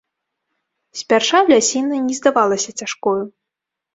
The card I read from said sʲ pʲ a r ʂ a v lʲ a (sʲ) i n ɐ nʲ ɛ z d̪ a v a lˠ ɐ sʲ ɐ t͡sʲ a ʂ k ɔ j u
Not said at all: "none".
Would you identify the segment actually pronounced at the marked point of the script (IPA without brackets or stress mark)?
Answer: sʲ